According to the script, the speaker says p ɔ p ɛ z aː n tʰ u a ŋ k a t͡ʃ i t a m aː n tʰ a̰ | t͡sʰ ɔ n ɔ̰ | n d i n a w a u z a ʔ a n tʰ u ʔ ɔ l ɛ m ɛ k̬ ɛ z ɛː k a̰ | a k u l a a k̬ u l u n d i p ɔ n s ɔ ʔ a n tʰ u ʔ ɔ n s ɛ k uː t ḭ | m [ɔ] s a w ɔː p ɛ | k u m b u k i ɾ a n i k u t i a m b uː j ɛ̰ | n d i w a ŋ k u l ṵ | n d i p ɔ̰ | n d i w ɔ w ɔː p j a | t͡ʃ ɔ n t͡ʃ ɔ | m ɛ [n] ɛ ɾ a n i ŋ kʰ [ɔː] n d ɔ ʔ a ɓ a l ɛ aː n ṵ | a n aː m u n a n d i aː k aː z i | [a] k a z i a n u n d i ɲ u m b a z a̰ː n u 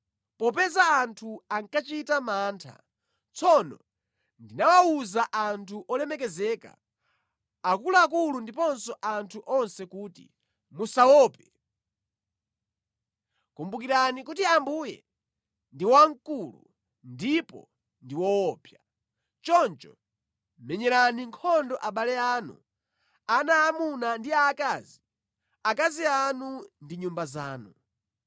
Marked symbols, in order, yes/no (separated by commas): no, no, no, yes